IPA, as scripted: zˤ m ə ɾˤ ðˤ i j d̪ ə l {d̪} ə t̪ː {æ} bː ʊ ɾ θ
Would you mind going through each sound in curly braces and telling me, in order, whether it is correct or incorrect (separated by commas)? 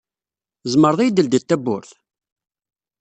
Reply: correct, correct